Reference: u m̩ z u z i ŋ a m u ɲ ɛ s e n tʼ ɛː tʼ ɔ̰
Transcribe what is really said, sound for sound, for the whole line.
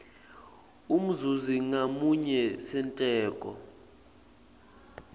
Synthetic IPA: u m̩ z u z i ŋ a m u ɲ ɛ s ɛ n tʼ ɛː kʼ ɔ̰